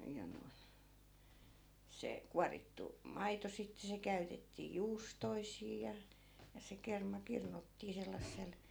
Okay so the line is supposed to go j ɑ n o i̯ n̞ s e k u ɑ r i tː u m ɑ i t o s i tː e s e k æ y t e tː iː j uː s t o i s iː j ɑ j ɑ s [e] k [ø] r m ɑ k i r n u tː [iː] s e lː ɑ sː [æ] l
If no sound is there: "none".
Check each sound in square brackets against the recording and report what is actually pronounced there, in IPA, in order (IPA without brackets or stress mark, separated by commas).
e, e, iː, e